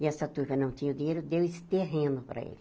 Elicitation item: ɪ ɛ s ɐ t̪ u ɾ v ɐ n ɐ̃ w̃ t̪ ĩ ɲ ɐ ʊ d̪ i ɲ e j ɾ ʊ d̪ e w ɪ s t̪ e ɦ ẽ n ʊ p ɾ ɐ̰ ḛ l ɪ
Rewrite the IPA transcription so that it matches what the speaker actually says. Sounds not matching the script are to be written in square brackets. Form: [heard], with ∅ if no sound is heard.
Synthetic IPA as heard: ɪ ɛ s ɐ t̪ u ɾ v ɐ n ɐ̃ w̃ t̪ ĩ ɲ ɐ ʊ d̪ i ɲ e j ɾ ʊ d̪ e w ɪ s t̪ e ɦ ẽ n ʊ p ɾ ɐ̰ ḛ l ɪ